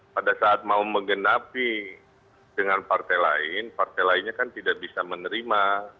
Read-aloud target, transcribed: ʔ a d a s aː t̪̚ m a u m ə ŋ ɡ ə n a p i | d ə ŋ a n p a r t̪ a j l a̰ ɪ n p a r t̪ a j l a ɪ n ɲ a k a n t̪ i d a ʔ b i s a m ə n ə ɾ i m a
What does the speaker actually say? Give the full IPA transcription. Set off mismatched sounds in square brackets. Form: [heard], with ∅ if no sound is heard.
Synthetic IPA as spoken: [p] a d a s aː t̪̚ m a u m ə ŋ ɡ ə n a p i | d ə ŋ a n p a r t̪ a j l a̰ ɪ n p a r t̪ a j l a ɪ n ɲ a k a n t̪ i d a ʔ b i s a m ə n ə ɾ i m a